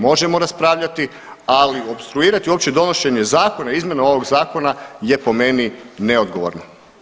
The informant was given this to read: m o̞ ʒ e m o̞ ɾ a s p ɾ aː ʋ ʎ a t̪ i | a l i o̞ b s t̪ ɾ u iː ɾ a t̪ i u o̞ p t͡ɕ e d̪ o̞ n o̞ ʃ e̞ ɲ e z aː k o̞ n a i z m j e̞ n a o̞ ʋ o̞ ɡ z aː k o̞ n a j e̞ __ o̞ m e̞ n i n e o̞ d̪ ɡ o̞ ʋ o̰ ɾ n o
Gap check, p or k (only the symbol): p